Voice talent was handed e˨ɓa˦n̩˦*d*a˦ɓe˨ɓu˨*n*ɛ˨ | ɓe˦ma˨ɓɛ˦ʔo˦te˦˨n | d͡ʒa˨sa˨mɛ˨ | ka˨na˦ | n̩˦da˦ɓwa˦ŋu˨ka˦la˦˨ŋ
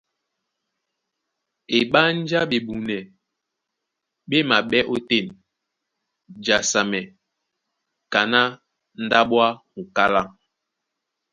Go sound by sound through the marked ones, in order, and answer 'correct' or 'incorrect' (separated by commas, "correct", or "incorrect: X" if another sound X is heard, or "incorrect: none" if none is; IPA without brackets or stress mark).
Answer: incorrect: d͡ʒ, correct